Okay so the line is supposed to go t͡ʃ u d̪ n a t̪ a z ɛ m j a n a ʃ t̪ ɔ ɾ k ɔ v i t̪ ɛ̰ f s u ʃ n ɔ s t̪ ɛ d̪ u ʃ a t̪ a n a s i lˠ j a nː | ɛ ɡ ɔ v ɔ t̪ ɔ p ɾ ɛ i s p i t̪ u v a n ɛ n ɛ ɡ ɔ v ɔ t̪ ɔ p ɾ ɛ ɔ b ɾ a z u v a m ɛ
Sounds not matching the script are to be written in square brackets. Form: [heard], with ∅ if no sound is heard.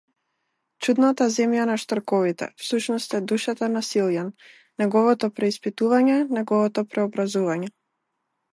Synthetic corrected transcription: t͡ʃ u d̪ n a t̪ a z ɛ m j a n a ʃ t̪ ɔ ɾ k ɔ v i t̪ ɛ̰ f s u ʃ n ɔ s t̪ ɛ d̪ u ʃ a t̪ a n a s i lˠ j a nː | ɛ ɡ ɔ v ɔ t̪ ɔ p ɾ ɛ i s p i t̪ u v a [ɲ] ɛ n ɛ ɡ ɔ v ɔ t̪ ɔ p ɾ ɛ ɔ b ɾ a z u v a [ɲ] ɛ